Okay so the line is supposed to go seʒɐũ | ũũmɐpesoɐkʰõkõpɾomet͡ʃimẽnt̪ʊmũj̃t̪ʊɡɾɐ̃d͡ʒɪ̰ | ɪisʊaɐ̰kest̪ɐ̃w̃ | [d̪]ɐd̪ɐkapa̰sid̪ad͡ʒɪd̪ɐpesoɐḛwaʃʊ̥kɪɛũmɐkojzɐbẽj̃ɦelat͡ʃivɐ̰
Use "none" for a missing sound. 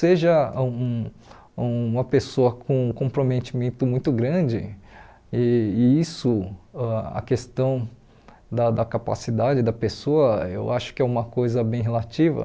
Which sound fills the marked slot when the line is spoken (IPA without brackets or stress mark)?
d̪